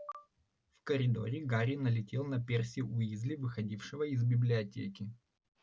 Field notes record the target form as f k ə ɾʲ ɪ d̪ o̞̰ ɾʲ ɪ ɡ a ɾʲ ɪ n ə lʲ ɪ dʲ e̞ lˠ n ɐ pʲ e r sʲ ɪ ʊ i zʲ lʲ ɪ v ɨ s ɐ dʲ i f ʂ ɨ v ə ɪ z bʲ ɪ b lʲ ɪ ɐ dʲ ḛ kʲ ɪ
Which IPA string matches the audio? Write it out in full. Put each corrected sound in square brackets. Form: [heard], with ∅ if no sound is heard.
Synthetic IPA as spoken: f k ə ɾʲ ɪ d̪ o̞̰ ɾʲ ɪ ɡ a ɾʲ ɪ n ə lʲ ɪ [tʲ] e̞ lˠ n ɐ pʲ e r sʲ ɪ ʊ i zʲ lʲ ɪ v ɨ [x] ɐ dʲ i f ʂ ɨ v ə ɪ z bʲ ɪ b lʲ ɪ ɐ [tʲ] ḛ kʲ ɪ